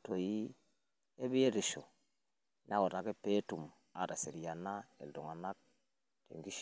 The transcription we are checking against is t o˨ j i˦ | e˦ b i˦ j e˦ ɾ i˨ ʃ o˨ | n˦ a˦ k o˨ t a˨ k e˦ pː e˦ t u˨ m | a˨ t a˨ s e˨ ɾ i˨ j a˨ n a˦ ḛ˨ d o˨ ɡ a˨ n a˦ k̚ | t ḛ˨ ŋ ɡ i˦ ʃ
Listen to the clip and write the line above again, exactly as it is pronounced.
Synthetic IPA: t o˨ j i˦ | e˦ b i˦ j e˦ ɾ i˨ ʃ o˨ | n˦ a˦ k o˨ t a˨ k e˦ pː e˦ t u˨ m | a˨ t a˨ s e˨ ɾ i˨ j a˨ n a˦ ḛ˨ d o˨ ŋ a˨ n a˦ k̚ | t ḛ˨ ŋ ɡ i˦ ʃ